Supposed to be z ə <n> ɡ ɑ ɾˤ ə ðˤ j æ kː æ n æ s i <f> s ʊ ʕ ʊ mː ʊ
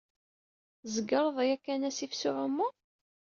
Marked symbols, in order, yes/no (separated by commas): no, yes